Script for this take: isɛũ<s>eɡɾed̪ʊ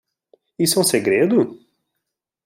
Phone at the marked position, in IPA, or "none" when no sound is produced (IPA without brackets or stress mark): s